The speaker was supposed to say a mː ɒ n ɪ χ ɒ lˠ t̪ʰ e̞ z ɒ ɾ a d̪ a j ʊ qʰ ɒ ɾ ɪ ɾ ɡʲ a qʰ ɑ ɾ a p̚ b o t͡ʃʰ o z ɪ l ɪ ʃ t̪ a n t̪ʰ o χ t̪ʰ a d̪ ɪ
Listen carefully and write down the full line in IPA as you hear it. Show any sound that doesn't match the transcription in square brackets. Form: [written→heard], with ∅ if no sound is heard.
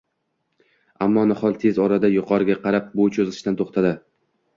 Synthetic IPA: a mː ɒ n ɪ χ ɒ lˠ t̪ʰ e̞ z ɒ ɾ a d̪ a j ʊ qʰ ɒ ɾ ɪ [ɾ→∅] ɡʲ a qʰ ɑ ɾ a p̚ b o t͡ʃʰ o z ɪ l ɪ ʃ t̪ a n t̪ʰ o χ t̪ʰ a d̪ ɪ